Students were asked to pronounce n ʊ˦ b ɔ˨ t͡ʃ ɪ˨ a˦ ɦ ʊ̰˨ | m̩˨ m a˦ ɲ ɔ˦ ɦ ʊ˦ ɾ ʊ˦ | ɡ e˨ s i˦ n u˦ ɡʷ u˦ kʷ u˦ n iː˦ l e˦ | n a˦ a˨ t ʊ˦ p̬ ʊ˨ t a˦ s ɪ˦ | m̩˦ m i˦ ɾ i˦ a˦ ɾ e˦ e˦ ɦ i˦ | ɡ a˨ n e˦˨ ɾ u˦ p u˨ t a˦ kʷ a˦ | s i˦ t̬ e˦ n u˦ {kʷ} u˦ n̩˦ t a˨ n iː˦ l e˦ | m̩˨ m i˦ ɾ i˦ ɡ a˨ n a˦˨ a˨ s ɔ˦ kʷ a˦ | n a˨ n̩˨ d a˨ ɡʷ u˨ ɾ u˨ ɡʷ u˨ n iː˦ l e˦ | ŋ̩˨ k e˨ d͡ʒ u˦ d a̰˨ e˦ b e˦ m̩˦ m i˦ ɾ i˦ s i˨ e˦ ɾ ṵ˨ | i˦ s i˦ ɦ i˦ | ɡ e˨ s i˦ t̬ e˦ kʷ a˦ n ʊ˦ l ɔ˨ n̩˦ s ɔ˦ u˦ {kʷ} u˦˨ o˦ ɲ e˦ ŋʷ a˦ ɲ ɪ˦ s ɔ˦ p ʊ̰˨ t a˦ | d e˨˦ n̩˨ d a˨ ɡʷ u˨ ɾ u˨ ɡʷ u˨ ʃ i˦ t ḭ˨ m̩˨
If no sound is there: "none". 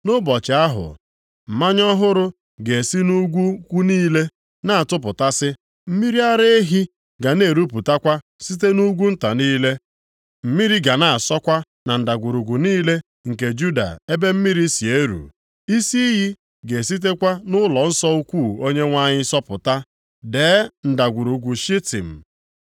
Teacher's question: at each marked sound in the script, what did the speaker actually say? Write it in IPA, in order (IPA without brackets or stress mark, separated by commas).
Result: ɡʷ, kʷ